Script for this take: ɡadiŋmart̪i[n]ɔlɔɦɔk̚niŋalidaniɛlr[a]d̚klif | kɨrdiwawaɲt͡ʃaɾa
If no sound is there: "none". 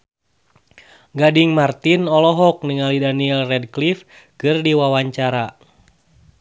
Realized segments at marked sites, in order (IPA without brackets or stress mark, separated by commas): n, ɛ